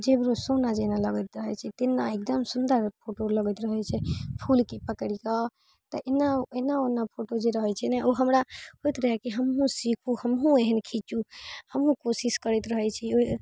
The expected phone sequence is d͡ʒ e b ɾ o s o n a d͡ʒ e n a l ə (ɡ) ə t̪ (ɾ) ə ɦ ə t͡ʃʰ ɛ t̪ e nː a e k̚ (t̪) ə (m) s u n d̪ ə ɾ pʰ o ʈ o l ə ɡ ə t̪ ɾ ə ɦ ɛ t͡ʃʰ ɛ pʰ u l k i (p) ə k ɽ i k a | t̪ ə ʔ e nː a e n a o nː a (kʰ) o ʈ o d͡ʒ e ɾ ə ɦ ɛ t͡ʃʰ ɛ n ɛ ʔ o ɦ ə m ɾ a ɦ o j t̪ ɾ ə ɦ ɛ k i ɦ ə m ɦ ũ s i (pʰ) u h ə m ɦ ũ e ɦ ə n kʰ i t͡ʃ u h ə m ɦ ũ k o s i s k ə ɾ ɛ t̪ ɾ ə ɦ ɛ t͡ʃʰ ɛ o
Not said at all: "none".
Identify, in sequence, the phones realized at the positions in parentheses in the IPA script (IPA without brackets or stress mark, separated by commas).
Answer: ɡ, ɾ, d̪, m, p, pʰ, kʰ